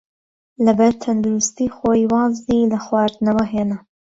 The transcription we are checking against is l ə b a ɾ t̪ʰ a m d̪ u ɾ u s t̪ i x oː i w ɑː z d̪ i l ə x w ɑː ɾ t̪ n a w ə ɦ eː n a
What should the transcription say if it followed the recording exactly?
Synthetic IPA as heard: l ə b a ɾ t̪ʰ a n d̪ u ɾ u s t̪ i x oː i w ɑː z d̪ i l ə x w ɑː ɾ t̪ n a w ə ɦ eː n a